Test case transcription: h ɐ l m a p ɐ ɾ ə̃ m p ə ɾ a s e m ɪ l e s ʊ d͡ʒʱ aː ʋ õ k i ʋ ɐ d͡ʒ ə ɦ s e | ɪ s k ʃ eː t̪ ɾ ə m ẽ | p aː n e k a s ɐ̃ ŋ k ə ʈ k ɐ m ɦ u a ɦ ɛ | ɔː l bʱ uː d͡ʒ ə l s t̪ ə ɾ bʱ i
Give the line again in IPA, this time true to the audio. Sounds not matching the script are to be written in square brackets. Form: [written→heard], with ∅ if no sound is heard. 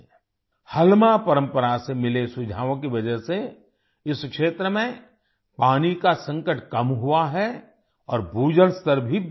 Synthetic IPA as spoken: h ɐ l m a p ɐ ɾ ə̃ m p ə ɾ a s e m ɪ l e s ʊ d͡ʒʱ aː ʋ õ k i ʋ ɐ d͡ʒ ə ɦ s e | ɪ s k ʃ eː t̪ ɾ ə m ẽ | p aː n [e→i] k a s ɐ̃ ŋ k ə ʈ k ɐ m ɦ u a ɦ ɛ | ɔː [l→ɾ] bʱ uː d͡ʒ ə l s t̪ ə ɾ bʱ i